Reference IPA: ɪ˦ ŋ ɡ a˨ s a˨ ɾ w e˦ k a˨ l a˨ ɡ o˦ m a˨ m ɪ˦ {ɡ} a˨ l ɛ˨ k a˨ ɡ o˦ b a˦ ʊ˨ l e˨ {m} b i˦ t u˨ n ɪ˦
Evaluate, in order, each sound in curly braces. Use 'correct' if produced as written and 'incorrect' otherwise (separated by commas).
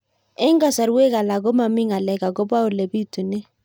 incorrect, incorrect